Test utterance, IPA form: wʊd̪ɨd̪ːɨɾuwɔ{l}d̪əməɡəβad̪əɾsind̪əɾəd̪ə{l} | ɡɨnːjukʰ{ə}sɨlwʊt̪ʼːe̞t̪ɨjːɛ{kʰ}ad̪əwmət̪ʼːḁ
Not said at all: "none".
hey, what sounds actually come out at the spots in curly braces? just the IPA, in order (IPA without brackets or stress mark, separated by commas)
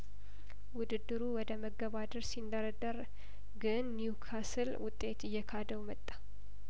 none, ɾ, a, kʰ